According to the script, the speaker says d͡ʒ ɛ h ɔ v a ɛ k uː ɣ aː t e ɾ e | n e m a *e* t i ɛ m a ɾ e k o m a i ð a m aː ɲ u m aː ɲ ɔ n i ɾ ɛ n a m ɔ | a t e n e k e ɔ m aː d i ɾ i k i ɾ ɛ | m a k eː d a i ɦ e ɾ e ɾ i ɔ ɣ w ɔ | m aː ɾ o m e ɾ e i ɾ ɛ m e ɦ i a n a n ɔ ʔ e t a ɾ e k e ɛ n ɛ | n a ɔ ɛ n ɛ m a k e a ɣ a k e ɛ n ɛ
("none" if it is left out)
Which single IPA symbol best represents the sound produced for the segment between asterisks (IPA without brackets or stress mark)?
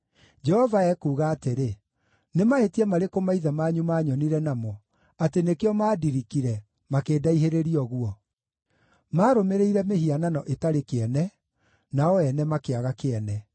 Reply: e